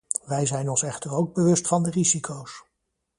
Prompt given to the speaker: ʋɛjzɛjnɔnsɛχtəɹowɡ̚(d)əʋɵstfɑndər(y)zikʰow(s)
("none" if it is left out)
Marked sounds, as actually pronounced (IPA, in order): b, i, s

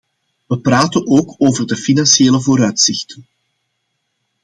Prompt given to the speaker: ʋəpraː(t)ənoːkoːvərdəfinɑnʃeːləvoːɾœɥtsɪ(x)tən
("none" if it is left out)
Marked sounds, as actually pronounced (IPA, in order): t, x

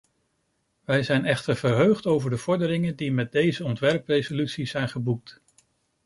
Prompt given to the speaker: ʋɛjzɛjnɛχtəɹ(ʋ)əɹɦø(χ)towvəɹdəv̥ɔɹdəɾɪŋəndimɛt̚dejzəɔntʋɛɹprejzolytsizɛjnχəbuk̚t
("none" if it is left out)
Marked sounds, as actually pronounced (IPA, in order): v, χ

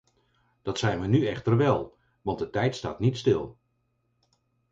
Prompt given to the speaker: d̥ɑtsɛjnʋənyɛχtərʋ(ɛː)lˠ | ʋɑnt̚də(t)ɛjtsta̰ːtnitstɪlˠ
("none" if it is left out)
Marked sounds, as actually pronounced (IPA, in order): ɛ, t

